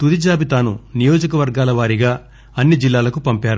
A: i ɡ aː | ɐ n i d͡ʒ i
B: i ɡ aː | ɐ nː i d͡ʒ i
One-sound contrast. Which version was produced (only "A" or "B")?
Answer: B